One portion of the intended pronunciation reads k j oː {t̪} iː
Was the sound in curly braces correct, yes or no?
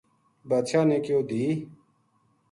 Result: no